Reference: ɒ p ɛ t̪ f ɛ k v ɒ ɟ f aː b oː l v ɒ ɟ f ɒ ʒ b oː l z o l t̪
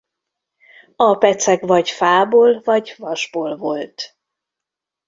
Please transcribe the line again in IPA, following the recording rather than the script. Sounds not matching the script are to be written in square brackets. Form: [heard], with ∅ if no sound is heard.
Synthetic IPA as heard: ɒ p ɛ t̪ [s] ɛ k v ɒ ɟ f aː b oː l v ɒ ɟ [v] ɒ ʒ b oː l [v] o l t̪